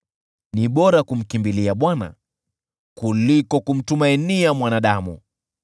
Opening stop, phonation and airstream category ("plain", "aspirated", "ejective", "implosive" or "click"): implosive